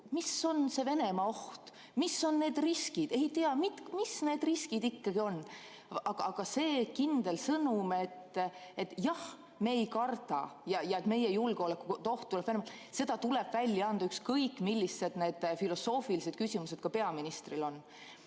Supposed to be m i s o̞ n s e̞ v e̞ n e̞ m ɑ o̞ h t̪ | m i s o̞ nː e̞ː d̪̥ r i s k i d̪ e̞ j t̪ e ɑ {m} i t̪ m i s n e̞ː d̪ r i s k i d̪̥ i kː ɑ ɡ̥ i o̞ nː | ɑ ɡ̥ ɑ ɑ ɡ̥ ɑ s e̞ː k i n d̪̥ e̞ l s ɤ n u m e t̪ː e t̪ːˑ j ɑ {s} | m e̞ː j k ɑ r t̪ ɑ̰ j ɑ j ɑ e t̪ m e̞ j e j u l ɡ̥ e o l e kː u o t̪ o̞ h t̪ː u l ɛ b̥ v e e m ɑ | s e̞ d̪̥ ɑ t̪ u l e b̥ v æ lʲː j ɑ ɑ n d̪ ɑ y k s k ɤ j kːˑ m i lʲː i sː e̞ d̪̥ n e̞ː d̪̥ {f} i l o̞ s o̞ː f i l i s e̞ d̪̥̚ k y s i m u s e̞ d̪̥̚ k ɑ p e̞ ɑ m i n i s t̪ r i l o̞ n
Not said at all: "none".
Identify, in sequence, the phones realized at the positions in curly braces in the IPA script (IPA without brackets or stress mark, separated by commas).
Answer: m, h, f